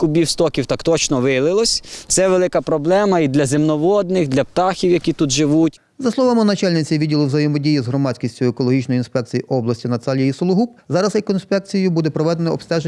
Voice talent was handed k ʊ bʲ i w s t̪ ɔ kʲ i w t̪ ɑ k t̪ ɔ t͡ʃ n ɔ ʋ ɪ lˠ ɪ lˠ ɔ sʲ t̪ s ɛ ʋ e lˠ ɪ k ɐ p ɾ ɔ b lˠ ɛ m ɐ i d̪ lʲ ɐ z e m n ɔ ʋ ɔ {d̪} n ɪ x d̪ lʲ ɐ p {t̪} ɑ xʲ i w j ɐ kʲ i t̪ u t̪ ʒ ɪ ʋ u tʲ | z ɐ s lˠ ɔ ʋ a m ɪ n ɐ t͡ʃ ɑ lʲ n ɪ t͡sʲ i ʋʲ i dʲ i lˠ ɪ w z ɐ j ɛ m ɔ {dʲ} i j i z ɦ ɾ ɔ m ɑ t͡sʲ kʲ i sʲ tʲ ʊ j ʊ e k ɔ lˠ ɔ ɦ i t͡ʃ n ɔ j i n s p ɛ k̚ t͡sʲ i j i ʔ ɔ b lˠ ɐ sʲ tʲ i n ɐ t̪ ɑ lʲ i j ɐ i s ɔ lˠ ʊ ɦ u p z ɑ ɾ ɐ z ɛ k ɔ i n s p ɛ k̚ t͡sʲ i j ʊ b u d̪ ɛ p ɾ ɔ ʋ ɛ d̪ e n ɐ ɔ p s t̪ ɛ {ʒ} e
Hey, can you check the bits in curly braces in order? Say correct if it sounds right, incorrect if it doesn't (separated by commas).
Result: correct, correct, correct, correct